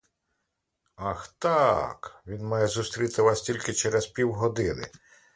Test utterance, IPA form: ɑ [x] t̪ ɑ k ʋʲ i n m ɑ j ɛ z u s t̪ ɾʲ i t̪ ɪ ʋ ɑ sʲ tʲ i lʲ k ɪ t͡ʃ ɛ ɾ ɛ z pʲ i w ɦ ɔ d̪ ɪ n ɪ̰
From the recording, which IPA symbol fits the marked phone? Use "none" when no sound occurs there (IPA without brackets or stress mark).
x